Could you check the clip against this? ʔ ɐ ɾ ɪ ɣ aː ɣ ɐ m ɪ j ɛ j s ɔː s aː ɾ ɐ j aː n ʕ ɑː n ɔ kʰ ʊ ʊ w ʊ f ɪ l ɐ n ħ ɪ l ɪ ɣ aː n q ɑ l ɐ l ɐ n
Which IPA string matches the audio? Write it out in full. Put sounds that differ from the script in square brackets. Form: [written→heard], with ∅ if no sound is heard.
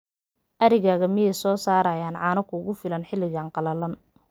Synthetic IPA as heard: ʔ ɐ ɾ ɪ ɣ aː ɣ ɐ m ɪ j ɛ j s ɔː s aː ɾ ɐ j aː n ʕ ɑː n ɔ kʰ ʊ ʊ [w→ɣ] ʊ f ɪ l ɐ n ħ ɪ l ɪ ɣ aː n q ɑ l ɐ l ɐ n